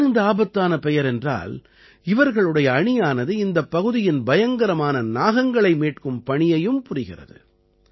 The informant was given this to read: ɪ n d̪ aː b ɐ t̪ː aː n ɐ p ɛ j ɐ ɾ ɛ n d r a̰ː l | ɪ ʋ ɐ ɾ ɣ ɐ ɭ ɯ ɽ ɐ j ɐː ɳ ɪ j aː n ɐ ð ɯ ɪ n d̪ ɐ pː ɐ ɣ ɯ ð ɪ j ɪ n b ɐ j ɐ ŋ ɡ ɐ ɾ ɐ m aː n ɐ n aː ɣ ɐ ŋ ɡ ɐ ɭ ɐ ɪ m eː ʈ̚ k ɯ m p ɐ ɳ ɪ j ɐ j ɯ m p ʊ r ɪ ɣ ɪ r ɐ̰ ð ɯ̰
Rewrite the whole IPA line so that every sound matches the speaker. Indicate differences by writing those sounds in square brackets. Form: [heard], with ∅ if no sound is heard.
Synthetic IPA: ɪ n d̪ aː b ɐ t̪ː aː n ɐ p ɛ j ɐ ɾ ɛ n d r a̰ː l | ɪ ʋ ɐ ɾ ɣ ɐ ɭ ɯ ɽ ɐ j ɐː ɳ ɪ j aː n ɐ ð ɯ ɪ n d̪ ɐ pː ɐ ɣ ɯ ð ɪ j ɪ n b ɐ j ɐ ŋ ɡ ɐ ɾ ɐ m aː n ɐ n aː ɣ ɐ ŋ ɡ ɐ ɭ ɐ ɪ m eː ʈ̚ k ɯ m p ɐ ɳ ɪ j ɐ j ɯ m p ʊ r ɪ ɣ ɪ r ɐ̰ ð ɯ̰